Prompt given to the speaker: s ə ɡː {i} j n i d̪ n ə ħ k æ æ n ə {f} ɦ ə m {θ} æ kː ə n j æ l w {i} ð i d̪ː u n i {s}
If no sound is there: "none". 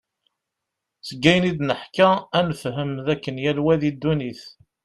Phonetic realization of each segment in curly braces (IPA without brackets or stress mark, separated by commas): æ, f, ð, æ, θ